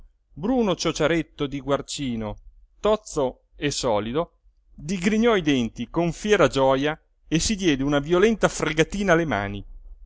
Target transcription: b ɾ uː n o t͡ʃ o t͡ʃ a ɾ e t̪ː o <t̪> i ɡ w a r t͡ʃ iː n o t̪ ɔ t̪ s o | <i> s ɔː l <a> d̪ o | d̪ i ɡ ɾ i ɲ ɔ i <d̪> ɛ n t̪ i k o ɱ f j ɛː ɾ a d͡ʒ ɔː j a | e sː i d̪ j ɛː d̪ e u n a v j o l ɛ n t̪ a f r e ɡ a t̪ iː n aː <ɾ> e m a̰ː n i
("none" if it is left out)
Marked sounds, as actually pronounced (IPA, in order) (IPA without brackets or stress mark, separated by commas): d̪, e, i, d̪, l